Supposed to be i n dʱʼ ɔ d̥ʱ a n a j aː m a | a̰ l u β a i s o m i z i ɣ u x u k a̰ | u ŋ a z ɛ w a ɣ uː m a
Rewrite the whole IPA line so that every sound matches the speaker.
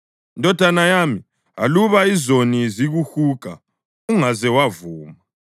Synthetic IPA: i n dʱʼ ɔ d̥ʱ a n a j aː m i | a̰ l u β a i z o n i z i ɣ u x u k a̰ | u ŋ a z ɛ w a v uː m a